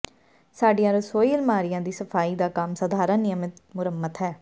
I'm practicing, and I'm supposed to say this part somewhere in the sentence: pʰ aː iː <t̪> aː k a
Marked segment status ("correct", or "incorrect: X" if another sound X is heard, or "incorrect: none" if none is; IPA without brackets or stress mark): incorrect: d̪